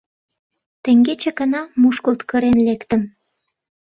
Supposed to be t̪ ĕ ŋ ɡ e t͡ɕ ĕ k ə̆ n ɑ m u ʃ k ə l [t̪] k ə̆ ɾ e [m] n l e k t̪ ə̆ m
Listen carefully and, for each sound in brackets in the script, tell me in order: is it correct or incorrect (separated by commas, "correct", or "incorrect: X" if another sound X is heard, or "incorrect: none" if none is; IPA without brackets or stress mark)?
correct, incorrect: none